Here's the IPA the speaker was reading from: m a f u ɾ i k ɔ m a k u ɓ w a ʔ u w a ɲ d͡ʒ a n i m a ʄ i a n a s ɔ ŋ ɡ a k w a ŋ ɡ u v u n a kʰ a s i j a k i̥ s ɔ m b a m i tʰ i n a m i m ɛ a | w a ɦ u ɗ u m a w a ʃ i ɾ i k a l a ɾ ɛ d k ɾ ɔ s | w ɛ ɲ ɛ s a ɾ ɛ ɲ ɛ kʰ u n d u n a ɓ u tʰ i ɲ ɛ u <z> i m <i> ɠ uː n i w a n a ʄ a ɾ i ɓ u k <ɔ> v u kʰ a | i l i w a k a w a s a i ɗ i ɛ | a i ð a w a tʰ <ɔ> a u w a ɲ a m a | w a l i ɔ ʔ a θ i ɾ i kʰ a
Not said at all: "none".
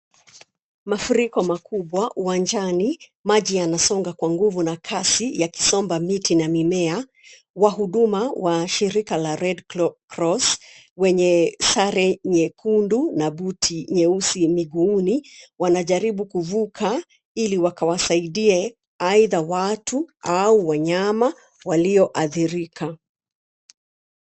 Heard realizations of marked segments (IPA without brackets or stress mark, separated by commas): s, i, u, u